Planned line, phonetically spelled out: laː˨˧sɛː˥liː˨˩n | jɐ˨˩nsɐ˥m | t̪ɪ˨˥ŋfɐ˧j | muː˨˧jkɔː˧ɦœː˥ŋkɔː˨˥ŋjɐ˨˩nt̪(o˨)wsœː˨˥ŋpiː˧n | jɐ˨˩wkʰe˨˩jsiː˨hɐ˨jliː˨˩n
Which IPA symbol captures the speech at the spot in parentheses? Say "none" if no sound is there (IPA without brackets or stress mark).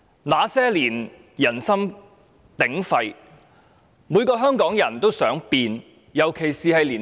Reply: o˥